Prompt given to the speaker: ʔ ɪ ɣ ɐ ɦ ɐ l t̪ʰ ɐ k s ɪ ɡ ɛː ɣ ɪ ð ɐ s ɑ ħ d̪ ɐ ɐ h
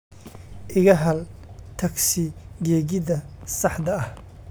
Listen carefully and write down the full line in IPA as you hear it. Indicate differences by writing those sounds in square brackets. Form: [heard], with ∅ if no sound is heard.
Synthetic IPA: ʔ ɪ ɣ ɐ ɦ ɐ l t̪ʰ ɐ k s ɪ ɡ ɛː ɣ ɪ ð ɐ s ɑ ħ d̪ ɐ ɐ h